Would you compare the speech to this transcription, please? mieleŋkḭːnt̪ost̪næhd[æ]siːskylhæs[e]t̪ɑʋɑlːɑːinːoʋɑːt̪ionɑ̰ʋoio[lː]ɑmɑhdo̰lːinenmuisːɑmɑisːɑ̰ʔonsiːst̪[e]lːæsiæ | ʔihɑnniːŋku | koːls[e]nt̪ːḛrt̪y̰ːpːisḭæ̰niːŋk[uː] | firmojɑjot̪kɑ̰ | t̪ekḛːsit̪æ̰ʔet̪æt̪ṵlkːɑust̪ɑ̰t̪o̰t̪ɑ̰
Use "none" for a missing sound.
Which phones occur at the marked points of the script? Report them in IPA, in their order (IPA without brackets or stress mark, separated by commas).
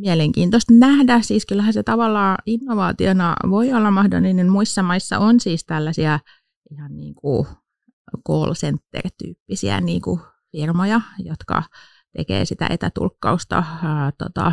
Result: æ, e, lː, æ, e, u